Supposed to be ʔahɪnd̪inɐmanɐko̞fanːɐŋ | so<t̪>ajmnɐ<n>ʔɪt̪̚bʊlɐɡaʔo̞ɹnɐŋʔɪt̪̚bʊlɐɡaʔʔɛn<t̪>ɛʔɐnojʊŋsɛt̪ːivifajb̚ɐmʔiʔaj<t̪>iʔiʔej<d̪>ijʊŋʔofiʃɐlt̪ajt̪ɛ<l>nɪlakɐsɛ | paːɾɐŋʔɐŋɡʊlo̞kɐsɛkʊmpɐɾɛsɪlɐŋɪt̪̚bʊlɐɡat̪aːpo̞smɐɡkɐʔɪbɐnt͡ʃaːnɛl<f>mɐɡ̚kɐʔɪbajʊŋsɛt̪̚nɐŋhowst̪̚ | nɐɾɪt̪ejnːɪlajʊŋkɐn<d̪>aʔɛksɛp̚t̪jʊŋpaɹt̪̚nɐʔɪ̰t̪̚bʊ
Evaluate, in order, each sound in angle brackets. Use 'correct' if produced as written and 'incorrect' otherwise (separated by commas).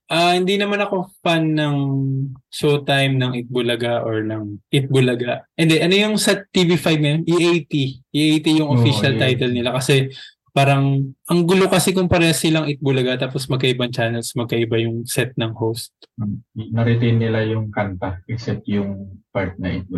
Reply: correct, incorrect, incorrect, correct, incorrect, correct, incorrect, incorrect